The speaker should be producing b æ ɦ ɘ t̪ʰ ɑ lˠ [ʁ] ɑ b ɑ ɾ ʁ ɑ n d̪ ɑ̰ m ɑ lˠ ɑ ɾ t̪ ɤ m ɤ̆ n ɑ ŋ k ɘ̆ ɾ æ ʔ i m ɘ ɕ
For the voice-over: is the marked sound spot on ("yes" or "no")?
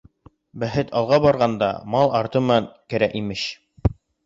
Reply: yes